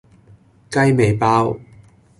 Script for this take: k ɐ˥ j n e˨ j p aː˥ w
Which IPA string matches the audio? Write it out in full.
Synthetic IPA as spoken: k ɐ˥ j m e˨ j p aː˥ w